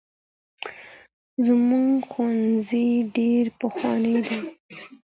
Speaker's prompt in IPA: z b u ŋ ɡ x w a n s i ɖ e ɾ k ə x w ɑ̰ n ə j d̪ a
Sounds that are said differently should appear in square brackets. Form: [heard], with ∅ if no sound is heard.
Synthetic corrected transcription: z [m] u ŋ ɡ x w a n [z] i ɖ e ɾ [p] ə x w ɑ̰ n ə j d̪ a